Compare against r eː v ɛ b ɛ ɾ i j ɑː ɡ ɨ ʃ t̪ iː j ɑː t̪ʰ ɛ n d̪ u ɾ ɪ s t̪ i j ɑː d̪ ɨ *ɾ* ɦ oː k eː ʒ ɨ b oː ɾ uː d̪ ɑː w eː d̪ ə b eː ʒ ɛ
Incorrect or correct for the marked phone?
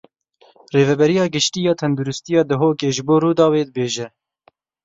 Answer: incorrect: none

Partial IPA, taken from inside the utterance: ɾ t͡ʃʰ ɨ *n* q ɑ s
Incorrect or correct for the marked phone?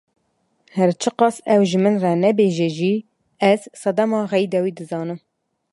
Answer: incorrect: none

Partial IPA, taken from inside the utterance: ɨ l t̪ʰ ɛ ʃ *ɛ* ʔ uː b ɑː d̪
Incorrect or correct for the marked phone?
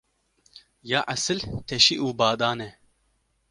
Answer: incorrect: i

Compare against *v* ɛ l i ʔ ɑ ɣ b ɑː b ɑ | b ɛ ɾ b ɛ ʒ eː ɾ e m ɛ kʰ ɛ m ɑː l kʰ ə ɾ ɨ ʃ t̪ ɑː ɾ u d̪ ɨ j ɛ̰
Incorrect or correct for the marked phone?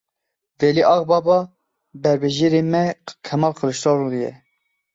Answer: correct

